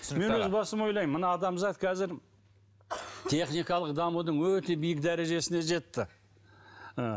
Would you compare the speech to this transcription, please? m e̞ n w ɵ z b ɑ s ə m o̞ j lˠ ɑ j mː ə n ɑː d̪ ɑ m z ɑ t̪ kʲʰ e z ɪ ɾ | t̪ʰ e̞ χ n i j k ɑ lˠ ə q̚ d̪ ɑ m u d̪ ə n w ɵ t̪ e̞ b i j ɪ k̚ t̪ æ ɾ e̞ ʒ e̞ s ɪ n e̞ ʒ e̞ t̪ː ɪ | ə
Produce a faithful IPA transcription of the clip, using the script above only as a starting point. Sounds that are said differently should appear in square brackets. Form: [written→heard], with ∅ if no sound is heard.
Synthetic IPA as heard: m e̞ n w ɵ z b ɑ s ə m o̞ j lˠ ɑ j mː ə n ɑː d̪ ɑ m z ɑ t̪ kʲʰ [e→æ] z ɪ ɾ | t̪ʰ e̞ χ n i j k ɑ lˠ ə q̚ d̪ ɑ m u d̪ ə [n→ɴ] w ɵ t̪ e̞ b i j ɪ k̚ [t̪→d̪] æ ɾ e̞ ʒ e̞ s ɪ n e̞ ʒ e̞ t̪ː ɪ | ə

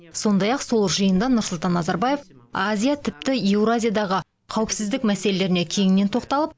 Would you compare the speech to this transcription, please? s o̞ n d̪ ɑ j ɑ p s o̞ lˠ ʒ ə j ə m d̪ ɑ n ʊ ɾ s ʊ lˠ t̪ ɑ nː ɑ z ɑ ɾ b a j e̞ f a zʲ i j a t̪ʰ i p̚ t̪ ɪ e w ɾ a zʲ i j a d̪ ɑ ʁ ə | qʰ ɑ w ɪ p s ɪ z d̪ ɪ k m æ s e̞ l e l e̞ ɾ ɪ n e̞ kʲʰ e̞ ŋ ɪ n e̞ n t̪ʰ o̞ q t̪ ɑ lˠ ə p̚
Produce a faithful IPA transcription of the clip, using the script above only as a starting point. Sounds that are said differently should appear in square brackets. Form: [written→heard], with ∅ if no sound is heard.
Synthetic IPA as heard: s o̞ n d̪ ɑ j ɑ [p→q] s o̞ lˠ ʒ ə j ə [m→n] d̪ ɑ n ʊ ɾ s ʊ lˠ t̪ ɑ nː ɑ z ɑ ɾ b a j e̞ f a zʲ i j a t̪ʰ [i→ɪ] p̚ t̪ ɪ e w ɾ a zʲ i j a d̪ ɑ ʁ ə | qʰ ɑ w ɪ p s ɪ z d̪ ɪ k m æ s e̞ l e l e̞ ɾ ɪ n e̞ kʲʰ e̞ ŋ ɪ n e̞ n t̪ʰ o̞ q t̪ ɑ lˠ ə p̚

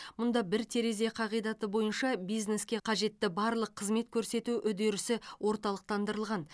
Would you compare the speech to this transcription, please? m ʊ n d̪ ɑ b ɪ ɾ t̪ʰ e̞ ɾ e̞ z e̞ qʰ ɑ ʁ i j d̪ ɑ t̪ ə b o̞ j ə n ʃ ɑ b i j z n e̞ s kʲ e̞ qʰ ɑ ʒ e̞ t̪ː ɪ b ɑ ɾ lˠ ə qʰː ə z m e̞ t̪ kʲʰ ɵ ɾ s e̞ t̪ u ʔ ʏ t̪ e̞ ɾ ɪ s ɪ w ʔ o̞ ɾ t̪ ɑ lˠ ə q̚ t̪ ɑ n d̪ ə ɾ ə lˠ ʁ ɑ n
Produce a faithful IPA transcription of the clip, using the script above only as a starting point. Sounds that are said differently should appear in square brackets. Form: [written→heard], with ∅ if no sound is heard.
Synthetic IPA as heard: m ʊ n d̪ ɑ b ɪ ɾ t̪ʰ e̞ ɾ e̞ z e̞ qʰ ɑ ʁ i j d̪ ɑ t̪ ə b o̞ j ə n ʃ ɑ b i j z n e̞ s kʲ e̞ qʰ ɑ ʒ e̞ t̪ː ɪ b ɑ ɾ lˠ ə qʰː ə z m e̞ t̪ kʲʰ ɵ ɾ s e̞ t̪ u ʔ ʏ [t̪→d̪] e̞ ɾ ɪ s ɪ w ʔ o̞ ɾ t̪ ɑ lˠ ə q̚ t̪ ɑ n d̪ ə ɾ ə lˠ ʁ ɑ n

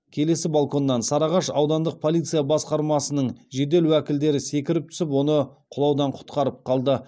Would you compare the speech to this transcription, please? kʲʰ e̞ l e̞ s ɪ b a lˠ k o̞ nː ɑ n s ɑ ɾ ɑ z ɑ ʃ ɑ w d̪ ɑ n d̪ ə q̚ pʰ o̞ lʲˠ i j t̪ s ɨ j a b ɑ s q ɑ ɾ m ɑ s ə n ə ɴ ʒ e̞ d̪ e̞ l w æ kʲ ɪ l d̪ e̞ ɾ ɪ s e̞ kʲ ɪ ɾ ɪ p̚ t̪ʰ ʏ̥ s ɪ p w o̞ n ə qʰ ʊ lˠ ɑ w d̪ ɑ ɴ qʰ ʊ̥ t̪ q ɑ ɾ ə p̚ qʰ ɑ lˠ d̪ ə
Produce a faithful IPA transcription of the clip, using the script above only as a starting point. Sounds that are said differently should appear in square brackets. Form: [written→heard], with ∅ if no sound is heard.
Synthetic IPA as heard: kʲʰ e̞ l e̞ s ɪ b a lˠ k o̞ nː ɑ n s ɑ ɾ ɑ [z→ʁ] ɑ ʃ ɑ w d̪ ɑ n d̪ ə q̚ pʰ o̞ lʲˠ i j t̪ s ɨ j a b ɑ s q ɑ ɾ m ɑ s ə n ə ɴ ʒ e̞ d̪ e̞ l w æ kʲ ɪ l d̪ e̞ ɾ ɪ s e̞ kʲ ɪ ɾ ɪ p̚ t̪ʰ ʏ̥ s ɪ p w o̞ n ə qʰ ʊ lˠ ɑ w d̪ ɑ ɴ qʰ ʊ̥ t̪ q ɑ ɾ ə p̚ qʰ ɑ lˠ d̪ ə

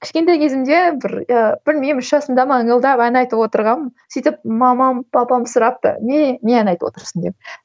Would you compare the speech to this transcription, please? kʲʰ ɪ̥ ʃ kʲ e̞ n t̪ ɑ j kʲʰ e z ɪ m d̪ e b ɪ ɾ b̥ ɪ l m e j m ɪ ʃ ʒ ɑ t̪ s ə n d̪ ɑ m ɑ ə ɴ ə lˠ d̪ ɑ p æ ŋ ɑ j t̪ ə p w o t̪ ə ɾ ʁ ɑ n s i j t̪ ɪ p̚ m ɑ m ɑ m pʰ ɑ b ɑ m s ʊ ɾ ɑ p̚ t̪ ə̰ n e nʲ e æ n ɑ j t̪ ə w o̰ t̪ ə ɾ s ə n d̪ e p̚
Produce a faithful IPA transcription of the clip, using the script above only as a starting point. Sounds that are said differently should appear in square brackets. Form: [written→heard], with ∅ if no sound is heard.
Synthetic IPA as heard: kʲʰ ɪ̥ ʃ kʲ e̞ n t̪ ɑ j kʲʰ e z ɪ m d̪ e b ɪ ɾ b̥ ɪ l m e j m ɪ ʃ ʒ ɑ [t̪→∅] s ə n d̪ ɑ m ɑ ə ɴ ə lˠ d̪ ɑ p æ [ŋ→n] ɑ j t̪ ə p w o t̪ ə ɾ ʁ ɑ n s i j t̪ ɪ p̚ m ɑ m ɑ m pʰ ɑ [b→p] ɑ m s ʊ ɾ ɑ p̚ t̪ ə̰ n e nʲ e æ n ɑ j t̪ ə w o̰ t̪ ə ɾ s ə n d̪ e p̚

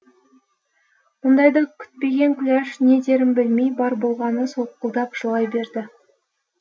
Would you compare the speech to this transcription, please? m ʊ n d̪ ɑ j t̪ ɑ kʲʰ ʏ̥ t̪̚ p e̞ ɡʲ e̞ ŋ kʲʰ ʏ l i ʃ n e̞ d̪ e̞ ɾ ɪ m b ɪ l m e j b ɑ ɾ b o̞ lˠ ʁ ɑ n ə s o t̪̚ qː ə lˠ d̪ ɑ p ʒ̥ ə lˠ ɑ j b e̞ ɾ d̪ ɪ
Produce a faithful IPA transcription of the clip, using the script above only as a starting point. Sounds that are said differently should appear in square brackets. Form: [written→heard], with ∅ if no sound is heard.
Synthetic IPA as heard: m ʊ n d̪ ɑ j [t̪→d̪] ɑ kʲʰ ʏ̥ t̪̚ p e̞ ɡʲ e̞ ŋ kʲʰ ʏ l [i→æ] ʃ n e̞ d̪ e̞ ɾ ɪ m b ɪ l m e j b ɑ ɾ b o̞ lˠ ʁ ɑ n ə s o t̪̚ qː ə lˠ d̪ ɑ p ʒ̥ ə lˠ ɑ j b e̞ ɾ d̪ ɪ

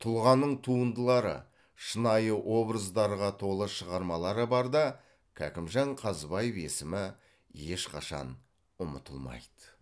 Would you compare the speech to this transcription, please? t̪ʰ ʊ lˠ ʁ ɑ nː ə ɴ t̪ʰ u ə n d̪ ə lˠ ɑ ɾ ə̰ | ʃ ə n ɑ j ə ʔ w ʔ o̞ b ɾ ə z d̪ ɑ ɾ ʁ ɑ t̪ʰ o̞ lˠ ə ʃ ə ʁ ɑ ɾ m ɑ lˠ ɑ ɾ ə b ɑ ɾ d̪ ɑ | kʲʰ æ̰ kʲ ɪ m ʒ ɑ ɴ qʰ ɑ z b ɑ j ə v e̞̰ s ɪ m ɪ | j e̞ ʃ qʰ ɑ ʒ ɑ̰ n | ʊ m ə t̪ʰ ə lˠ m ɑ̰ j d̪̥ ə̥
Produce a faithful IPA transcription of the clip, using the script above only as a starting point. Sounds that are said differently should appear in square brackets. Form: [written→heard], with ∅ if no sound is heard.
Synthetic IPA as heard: t̪ʰ ʊ lˠ ʁ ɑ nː ə ɴ t̪ʰ u ə n d̪ ə lˠ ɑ ɾ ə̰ | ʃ ə n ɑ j ə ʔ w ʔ o̞ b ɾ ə z d̪ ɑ ɾ ʁ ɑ t̪ʰ o̞ lˠ ə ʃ ə ʁ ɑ ɾ m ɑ lˠ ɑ ɾ ə b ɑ ɾ d̪ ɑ | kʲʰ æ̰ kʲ ɪ m ʒ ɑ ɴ qʰ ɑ z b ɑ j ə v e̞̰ s ɪ m ɪ | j e̞ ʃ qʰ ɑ [ʒ→ʃ] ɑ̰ n | ʊ m ə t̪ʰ ə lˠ m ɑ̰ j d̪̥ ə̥

